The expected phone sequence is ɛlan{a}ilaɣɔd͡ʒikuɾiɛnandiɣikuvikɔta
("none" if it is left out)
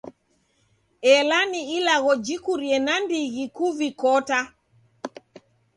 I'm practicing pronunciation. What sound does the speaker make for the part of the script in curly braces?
i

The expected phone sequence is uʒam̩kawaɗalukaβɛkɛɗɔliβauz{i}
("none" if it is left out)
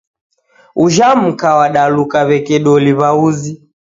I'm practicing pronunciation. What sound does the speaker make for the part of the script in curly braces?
i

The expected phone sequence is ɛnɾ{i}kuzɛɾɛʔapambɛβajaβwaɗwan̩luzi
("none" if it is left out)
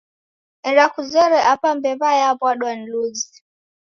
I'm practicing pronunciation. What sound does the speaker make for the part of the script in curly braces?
a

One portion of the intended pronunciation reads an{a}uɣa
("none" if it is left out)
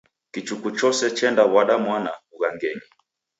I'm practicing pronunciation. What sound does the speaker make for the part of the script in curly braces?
a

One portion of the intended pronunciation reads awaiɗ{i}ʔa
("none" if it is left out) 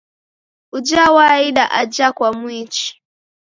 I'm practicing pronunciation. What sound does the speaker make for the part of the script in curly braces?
a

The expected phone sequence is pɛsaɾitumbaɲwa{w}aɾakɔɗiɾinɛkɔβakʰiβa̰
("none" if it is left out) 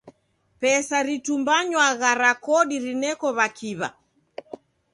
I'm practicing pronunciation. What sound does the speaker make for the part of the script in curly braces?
ɣ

